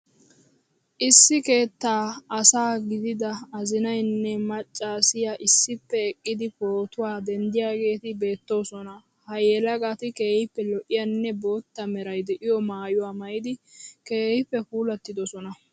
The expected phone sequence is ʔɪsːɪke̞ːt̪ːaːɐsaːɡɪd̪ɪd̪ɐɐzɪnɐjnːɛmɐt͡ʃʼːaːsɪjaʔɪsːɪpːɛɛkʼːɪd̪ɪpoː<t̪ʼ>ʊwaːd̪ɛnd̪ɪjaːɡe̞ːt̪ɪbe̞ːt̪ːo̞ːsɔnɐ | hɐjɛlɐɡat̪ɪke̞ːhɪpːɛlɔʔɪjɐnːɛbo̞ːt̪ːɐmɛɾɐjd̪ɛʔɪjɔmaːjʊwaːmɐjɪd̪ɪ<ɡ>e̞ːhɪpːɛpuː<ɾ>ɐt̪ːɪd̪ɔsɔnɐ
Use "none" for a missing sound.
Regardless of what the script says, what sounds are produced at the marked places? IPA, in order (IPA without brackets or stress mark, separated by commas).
t̪, k, l